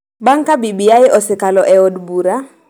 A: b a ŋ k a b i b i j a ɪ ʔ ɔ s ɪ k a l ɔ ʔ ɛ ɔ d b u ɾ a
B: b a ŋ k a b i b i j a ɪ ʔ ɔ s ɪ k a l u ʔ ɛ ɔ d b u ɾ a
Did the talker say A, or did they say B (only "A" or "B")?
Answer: A